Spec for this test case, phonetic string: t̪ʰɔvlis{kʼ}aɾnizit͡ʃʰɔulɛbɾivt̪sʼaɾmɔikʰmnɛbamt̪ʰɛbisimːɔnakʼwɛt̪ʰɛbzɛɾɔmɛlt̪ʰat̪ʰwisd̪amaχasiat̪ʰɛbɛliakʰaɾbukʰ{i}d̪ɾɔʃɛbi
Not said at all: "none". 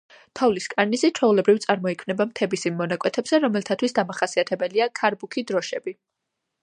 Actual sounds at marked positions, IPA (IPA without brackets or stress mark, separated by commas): kʼ, i